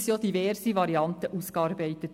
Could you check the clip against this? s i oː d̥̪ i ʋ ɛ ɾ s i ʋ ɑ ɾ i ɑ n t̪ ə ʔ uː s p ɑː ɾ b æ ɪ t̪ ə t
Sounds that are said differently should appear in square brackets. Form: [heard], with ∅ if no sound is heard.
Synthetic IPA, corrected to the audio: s [j] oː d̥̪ i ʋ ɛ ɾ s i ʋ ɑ ɾ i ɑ n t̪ ə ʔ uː s [k] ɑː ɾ b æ ɪ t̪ ə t